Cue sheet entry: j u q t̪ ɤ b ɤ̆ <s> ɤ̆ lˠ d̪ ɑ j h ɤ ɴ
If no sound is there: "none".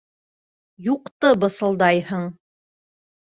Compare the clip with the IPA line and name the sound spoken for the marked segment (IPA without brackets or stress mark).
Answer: s